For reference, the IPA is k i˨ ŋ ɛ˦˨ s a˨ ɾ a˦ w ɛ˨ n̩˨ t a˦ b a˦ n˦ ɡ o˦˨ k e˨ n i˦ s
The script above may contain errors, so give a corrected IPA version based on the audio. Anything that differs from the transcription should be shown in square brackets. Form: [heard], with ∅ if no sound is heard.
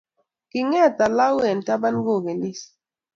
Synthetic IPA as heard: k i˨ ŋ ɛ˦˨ [t] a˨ [l] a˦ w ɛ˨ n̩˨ t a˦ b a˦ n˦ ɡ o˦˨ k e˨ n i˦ s